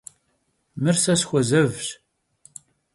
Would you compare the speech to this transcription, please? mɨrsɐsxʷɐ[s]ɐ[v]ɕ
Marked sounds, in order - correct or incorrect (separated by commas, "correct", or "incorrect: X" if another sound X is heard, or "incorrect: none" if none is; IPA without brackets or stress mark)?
incorrect: z, correct